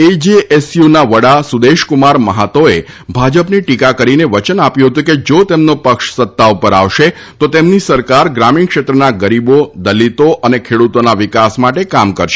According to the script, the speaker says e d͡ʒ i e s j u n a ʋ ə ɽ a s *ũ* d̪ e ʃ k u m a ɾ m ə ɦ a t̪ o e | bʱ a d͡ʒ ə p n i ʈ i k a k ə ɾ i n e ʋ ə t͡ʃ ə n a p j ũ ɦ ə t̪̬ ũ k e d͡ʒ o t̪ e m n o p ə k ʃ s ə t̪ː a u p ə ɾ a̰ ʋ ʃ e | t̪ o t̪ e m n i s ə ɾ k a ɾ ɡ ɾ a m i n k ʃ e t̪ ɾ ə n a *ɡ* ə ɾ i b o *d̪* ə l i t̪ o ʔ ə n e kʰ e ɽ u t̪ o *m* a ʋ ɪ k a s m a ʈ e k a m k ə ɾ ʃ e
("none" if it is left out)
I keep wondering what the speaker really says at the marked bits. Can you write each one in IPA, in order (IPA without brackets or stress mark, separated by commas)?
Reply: u, ɡ, d̪, n